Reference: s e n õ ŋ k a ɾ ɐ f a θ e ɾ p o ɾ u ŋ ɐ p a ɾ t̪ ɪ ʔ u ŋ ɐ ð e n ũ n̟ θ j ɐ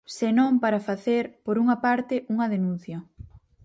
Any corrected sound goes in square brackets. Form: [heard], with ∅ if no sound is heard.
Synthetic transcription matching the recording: s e n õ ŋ [p] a ɾ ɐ f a θ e ɾ p o ɾ u ŋ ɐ p a ɾ t̪ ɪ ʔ u ŋ ɐ ð e n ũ n̟ θ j ɐ